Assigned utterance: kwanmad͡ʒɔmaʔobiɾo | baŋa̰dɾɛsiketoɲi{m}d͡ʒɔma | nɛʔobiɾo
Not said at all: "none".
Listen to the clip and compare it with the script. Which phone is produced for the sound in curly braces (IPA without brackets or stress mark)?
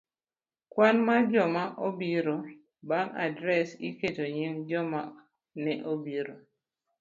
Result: ŋ